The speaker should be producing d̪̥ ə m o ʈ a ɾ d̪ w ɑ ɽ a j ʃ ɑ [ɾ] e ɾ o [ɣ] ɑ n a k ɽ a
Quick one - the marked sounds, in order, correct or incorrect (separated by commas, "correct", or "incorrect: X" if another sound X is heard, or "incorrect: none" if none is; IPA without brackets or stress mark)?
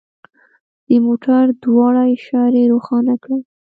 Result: correct, incorrect: x